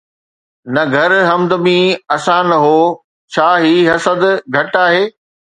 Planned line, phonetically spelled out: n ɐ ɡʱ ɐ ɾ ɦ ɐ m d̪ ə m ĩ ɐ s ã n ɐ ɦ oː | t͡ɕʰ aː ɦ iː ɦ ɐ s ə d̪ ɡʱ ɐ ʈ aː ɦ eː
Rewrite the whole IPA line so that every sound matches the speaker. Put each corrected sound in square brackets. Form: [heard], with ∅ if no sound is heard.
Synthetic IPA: n ɐ ɡʱ ɐ ɾ ɦ ɐ m d̪ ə m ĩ ɐ s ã n ɐ ɦ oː | t͡ɕʰ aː ɦ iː ɦ ɐ s ə d̪ ɡʱ ɐ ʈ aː ɦ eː